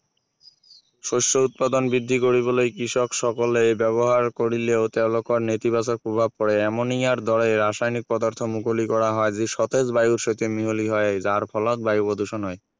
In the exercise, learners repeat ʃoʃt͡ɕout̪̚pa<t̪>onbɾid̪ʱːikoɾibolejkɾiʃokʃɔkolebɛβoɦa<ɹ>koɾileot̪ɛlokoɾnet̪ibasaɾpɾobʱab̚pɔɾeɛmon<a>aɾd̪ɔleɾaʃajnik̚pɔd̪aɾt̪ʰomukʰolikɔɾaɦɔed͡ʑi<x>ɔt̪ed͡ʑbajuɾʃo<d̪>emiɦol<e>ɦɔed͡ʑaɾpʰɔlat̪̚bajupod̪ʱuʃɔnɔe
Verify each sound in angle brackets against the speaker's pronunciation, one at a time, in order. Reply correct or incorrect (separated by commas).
incorrect, incorrect, incorrect, incorrect, incorrect, incorrect